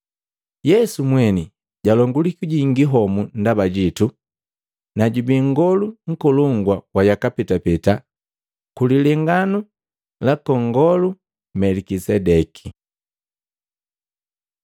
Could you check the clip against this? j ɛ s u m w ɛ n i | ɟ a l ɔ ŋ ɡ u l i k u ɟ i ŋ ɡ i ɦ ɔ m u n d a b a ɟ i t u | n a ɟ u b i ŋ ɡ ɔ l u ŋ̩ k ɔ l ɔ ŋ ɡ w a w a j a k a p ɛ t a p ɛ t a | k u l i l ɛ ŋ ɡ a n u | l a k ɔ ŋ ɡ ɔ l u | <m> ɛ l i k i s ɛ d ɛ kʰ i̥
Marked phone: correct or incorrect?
correct